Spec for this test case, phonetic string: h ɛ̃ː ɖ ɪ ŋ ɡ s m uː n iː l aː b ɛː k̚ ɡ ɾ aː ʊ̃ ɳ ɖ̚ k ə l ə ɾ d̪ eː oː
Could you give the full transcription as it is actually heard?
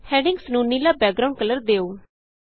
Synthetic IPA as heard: h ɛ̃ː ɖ ɪ ŋ ɡ s n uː n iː l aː b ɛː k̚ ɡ ɾ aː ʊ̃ ɳ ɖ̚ k ə l ə ɾ d̪ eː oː